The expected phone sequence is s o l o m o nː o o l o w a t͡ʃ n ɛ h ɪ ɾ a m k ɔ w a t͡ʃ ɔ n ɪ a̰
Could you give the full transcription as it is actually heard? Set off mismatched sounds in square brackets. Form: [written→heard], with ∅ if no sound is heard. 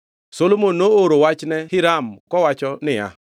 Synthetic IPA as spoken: s o l o m o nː o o [l→ɾ] o w a t͡ʃ n ɛ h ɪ ɾ a m k ɔ w a t͡ʃ ɔ n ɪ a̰